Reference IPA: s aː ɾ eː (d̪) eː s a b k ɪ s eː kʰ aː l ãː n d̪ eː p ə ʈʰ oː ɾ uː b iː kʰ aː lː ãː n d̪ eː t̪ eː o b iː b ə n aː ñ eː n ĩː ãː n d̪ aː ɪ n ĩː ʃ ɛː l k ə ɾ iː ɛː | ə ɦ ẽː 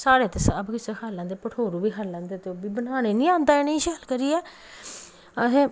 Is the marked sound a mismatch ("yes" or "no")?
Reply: yes